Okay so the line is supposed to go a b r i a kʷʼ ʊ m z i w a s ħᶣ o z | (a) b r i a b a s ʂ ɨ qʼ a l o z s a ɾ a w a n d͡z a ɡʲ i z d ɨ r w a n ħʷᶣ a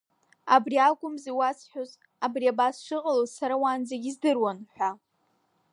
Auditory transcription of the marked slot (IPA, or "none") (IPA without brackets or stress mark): a